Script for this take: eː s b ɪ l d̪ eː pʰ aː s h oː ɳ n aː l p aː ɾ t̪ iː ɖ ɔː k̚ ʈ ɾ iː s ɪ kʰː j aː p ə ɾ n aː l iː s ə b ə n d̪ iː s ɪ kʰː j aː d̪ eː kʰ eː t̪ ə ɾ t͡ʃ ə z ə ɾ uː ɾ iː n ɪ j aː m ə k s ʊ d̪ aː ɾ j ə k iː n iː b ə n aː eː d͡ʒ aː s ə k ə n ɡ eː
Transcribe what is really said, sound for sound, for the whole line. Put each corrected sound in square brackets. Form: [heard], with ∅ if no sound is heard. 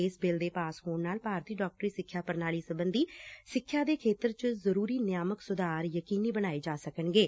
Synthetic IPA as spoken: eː s b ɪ l d̪ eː [p] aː s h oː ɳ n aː l p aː ɾ t̪ iː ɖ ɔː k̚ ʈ ɾ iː s ɪ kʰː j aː p ə ɾ n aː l iː s ə b ə n d̪ iː s ɪ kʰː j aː d̪ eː kʰ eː t̪ ə ɾ t͡ʃ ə z ə ɾ uː ɾ iː n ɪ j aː m ə k s ʊ d̪ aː ɾ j ə k iː n iː b ə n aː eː d͡ʒ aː s ə k ə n ɡ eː